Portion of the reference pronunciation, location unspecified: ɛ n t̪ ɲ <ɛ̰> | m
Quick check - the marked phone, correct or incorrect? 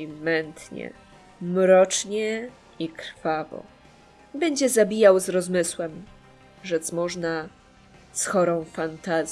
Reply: correct